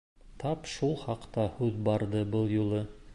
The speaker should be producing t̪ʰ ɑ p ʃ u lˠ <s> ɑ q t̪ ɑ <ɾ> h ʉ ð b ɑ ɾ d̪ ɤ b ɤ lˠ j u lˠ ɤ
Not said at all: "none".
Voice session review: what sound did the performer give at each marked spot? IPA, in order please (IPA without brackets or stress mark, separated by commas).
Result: χ, none